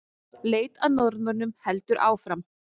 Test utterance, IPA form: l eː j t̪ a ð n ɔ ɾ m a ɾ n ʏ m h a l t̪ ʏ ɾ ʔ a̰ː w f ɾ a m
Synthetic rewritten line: l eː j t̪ a ð n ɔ ɾ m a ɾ n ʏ m h ɛ l t̪ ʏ ɾ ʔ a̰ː w f ɾ a m